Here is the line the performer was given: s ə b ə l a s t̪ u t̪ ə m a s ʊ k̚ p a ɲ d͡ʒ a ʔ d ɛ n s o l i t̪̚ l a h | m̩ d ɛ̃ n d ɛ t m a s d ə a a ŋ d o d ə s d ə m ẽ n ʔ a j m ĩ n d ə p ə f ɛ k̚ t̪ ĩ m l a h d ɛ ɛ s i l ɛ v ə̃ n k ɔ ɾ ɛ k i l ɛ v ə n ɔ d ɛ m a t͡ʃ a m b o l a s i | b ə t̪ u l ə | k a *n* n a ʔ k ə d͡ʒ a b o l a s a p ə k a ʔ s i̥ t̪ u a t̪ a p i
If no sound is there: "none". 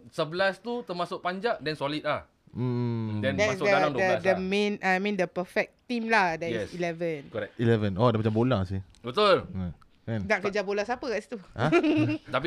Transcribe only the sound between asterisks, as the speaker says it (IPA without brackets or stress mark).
n